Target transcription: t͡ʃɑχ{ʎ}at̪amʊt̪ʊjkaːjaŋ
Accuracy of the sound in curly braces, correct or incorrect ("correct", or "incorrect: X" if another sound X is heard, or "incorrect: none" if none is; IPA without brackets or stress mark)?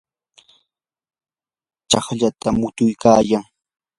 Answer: correct